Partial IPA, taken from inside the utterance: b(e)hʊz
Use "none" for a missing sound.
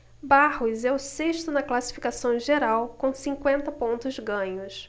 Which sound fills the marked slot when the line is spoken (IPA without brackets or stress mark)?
a